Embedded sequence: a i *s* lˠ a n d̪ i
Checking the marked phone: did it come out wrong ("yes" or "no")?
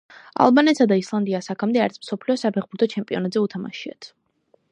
no